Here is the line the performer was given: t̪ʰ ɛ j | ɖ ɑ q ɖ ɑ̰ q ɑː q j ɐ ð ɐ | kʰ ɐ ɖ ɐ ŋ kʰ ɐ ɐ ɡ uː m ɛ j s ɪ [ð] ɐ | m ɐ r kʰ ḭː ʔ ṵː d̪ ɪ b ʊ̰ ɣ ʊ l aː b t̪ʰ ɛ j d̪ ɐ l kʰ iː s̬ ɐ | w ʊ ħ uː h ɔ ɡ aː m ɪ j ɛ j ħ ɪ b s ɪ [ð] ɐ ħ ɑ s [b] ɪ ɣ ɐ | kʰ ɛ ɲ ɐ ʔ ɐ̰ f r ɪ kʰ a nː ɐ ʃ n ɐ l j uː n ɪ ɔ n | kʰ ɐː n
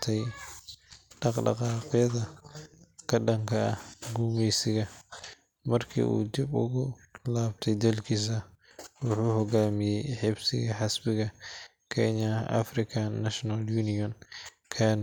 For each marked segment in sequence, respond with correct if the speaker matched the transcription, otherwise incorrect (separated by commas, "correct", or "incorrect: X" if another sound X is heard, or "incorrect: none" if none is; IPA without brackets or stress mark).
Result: incorrect: ɣ, incorrect: ɣ, correct